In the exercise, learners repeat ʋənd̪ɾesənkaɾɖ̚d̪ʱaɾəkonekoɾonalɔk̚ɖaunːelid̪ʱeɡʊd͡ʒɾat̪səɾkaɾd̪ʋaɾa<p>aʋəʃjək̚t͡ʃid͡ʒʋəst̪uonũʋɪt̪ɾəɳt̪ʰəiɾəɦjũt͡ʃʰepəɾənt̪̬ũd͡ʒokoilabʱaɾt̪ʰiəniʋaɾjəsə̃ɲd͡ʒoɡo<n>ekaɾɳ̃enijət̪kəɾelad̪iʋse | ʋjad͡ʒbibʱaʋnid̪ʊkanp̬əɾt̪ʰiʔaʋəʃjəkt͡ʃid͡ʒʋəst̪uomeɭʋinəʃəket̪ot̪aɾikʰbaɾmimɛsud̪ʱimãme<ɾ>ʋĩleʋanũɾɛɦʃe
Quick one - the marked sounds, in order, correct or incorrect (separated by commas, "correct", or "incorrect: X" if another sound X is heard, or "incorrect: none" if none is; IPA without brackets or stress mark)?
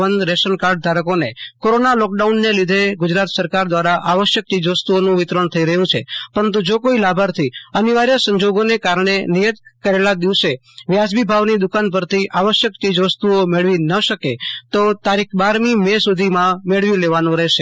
incorrect: ʔ, correct, incorrect: ɭ